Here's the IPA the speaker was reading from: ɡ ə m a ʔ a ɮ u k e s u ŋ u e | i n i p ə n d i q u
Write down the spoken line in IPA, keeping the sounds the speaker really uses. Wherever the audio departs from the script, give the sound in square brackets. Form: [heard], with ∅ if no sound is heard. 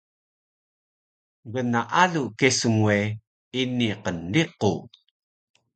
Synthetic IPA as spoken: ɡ ə [n] a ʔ a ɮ u k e s u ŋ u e | i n i [q] ə n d i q u